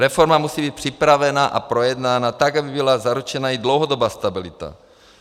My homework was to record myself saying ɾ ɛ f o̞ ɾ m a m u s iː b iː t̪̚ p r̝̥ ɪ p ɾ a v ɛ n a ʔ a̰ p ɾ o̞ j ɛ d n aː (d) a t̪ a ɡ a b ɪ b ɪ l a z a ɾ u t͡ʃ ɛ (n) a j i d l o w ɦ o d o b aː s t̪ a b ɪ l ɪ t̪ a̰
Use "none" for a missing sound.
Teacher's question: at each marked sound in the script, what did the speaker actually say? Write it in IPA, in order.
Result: n, n

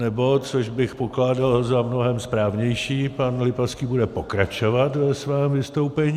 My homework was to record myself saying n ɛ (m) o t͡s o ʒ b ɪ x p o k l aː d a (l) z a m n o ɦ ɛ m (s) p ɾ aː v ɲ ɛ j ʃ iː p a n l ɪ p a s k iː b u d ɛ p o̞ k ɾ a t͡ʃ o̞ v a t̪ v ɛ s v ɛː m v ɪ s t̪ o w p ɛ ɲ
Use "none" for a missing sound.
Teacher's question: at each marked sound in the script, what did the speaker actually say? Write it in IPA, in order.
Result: b, l, s

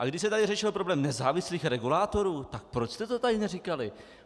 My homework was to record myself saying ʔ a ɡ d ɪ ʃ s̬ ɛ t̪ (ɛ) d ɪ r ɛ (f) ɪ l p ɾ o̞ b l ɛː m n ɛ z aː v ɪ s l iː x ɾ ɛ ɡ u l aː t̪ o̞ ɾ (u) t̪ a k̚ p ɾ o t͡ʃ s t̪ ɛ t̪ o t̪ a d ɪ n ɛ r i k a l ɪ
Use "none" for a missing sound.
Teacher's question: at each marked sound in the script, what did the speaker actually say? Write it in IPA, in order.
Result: a, ʃ, uː

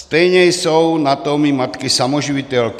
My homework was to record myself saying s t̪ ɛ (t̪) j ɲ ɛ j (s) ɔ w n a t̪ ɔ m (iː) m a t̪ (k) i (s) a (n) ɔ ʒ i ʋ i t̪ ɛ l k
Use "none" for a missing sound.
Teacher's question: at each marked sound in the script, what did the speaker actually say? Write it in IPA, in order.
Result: none, s, i, k, s, m

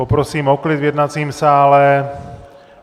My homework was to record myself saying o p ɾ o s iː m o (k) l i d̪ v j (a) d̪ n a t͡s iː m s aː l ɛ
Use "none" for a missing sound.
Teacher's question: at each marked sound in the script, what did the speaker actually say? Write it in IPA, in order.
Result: k, ɛ

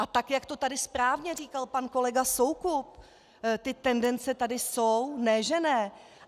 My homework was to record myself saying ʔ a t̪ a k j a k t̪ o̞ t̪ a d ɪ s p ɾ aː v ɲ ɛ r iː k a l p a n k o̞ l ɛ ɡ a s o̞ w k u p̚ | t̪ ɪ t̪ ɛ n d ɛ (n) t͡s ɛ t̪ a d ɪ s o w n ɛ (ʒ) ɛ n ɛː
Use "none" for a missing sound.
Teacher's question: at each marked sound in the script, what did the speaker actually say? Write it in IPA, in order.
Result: n, ʒ

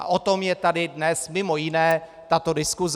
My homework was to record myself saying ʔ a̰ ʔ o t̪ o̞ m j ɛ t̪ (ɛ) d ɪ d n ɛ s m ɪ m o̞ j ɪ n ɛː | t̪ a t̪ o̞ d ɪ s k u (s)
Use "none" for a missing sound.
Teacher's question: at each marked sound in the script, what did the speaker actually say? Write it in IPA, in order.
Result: a, z

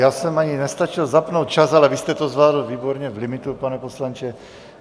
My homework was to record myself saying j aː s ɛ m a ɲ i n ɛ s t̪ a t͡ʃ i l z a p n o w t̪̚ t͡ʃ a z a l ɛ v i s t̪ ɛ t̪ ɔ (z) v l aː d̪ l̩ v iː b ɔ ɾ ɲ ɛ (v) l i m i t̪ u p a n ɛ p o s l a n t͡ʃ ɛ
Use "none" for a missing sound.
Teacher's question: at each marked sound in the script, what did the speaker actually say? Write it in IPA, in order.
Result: z, v

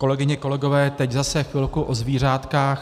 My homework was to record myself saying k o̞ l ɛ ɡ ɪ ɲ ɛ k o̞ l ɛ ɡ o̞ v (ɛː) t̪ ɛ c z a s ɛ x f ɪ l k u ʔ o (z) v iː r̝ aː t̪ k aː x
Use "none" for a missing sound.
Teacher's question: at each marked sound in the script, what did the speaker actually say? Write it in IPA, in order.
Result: ɛː, z

